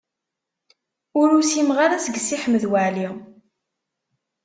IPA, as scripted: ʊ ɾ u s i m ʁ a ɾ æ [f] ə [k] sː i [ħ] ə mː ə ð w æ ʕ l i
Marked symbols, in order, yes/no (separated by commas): no, no, yes